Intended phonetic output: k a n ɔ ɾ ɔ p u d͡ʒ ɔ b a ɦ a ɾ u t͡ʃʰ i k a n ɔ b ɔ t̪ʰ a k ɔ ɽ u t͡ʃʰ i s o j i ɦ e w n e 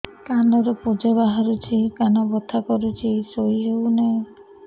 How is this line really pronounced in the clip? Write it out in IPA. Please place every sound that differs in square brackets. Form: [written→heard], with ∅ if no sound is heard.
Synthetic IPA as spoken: k a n ɔ ɾ ɔ p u d͡ʒ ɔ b a ɦ a ɾ u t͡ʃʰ i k a n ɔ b ɔ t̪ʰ a k ɔ [ɽ→ɾ] u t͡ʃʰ i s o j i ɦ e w n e